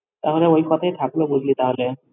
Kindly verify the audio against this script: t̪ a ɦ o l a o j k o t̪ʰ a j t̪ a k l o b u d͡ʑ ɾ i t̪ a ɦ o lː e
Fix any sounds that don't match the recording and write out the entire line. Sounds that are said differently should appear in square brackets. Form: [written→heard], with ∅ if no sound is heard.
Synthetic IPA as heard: t̪ a ɦ o l [a→e] o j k [o→ɔ] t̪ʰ a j [t̪→t̪ʰ] a k l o b u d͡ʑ [ɾ→l] i t̪ a ɦ o [lː→l] e

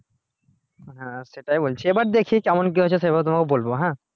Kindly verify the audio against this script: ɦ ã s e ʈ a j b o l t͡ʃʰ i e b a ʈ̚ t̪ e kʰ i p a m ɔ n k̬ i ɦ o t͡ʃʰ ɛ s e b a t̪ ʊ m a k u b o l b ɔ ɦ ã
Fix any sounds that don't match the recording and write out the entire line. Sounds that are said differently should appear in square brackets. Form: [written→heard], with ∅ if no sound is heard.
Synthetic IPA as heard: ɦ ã s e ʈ a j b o l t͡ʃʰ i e b a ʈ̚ [t̪→d̪] e kʰ i [p→k] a m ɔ n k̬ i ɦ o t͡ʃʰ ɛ s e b a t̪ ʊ m a k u b o l b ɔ ɦ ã

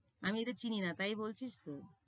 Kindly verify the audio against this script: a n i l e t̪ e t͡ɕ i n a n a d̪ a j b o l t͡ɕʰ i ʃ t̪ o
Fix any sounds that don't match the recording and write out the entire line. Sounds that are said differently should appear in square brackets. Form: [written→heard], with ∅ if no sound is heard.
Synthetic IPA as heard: a [n→m] i [l→∅] e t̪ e t͡ɕ i n [a→i] n a [d̪→t̪] a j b o l t͡ɕʰ i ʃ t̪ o

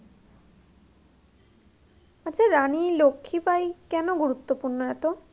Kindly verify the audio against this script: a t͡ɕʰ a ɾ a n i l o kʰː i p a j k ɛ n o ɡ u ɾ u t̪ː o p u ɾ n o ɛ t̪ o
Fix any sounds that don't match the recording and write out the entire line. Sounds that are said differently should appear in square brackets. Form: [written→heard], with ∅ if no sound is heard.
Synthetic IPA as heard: a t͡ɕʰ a ɾ a n i l o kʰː i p a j k ɛ n o ɡ u ɾ u t̪ː o p u ɾ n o ɛ t̪ o

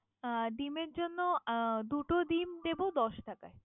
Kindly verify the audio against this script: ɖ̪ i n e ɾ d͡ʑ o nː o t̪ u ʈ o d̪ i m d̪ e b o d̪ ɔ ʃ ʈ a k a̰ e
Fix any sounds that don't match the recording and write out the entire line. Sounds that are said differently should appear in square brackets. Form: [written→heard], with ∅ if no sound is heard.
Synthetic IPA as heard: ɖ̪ i [n→m] e ɾ d͡ʑ o nː o [t̪→d̪] u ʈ o d̪ i m d̪ e b o d̪ ɔ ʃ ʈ a k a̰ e

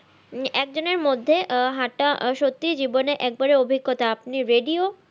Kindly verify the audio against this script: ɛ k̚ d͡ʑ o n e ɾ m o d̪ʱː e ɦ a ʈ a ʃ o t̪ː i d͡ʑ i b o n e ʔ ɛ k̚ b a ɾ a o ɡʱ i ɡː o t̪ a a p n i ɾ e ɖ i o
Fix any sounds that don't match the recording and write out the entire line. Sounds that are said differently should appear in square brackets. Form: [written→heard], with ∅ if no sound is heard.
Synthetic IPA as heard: ɛ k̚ d͡ʑ o n e ɾ m o d̪ʱː e ɦ a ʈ a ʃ o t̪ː i d͡ʑ i b o n e ʔ ɛ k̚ b a ɾ [a→e] o [ɡʱ→bʱ] i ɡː o t̪ a a p n i ɾ e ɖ i o

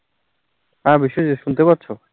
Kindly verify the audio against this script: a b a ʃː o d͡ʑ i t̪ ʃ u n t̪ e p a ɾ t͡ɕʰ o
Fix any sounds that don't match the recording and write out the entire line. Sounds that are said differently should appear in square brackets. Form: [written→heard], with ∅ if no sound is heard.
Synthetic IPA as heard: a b [a→i] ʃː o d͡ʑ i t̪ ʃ u n t̪ e p a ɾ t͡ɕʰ o

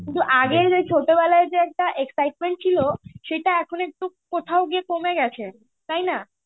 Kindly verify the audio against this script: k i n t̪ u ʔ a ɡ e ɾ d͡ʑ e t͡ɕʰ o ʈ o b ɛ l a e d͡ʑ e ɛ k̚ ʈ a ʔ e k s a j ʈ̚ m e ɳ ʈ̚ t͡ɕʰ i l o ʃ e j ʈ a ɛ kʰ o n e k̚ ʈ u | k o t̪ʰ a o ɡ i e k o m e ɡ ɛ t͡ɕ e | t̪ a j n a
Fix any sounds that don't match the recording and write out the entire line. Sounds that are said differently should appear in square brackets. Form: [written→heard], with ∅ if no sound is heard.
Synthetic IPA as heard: k i n t̪ u ʔ a ɡ e ɾ d͡ʑ e t͡ɕʰ o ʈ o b ɛ l a e d͡ʑ e ɛ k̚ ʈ a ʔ e k s a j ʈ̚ m e ɳ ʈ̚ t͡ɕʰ i l o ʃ e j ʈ a ɛ kʰ o n e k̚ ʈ u | k o t̪ʰ a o ɡ i e k o m e ɡ ɛ [t͡ɕ→t͡ɕʰ] e | t̪ a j n a

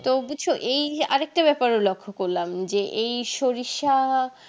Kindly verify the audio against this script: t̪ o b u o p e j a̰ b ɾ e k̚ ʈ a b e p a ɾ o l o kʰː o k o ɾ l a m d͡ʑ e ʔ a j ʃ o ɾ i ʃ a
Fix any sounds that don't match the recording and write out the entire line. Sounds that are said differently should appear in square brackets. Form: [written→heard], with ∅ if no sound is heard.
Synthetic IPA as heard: t̪ o b u o [p→ʔ] e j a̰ [b→∅] ɾ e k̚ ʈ a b [e→ɛ] p a ɾ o l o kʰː o k o ɾ l a m d͡ʑ e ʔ [a→e] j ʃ o ɾ i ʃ a

